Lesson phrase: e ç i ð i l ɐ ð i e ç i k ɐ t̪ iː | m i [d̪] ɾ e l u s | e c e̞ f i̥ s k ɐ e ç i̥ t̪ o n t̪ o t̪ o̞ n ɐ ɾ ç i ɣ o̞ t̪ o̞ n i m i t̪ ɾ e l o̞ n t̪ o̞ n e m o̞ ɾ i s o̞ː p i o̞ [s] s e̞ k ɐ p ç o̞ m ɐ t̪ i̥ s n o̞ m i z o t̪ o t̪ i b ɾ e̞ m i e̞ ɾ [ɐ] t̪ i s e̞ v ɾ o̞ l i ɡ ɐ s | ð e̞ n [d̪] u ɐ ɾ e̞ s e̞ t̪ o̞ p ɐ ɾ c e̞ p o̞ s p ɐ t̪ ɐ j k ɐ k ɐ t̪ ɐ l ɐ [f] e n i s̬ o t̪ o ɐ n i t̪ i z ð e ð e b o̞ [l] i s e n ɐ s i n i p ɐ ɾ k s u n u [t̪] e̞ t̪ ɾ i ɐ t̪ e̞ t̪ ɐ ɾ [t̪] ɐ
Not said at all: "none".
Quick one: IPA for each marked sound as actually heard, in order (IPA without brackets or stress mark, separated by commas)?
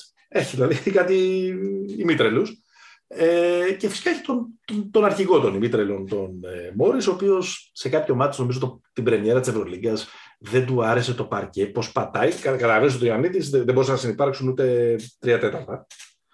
t̪, s, ɐ, d̪, v, ɾ, t̪, t̪